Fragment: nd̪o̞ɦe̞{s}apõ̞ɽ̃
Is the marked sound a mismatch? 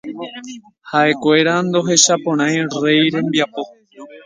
yes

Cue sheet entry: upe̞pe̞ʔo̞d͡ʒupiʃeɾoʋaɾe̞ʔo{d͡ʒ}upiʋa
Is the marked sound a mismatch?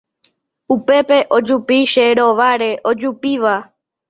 no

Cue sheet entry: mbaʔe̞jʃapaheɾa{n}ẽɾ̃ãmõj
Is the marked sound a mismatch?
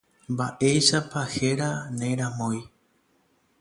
no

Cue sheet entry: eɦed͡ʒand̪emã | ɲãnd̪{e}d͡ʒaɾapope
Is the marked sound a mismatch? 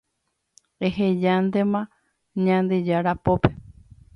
no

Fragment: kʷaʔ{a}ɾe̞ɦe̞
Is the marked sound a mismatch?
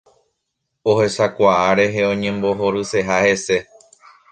no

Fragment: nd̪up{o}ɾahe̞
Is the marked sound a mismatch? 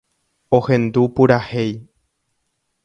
yes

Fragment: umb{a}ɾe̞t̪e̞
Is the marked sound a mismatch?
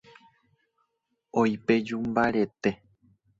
no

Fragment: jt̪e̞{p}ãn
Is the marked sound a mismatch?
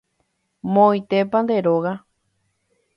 no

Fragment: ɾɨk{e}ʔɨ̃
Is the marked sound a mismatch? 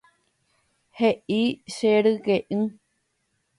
no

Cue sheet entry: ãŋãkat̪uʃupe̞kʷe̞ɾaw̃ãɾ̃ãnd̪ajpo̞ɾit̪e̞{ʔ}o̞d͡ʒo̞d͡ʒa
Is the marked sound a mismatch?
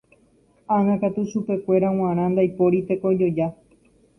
yes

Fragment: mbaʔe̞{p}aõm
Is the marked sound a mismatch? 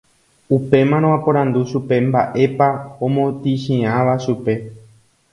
no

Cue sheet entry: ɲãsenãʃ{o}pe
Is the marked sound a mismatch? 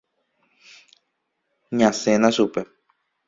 yes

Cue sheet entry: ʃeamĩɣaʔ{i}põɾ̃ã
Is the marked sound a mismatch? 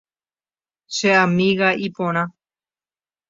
no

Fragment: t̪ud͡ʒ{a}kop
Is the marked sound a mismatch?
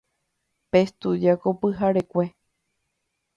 no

